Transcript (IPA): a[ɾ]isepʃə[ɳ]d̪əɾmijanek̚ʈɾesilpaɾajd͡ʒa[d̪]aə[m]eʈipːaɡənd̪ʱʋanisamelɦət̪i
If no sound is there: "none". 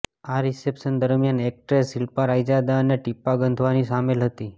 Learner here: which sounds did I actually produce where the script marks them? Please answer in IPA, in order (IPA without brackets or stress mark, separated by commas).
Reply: ɾ, n, d̪, n